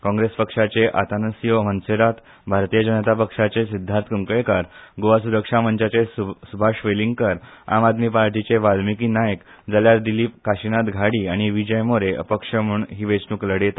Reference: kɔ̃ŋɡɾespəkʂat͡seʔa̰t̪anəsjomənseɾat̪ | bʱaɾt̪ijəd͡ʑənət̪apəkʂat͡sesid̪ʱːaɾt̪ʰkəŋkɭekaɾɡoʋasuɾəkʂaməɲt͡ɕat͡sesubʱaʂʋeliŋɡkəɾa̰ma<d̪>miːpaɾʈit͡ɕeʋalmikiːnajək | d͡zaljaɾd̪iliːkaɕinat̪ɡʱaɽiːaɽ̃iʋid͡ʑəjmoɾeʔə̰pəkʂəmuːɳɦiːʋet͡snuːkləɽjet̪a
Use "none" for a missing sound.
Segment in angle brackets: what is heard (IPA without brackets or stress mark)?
d̪